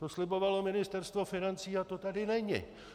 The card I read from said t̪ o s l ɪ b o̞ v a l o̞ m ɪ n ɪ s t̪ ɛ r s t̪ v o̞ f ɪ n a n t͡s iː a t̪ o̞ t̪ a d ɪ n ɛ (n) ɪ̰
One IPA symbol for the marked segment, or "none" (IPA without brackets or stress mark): ɲ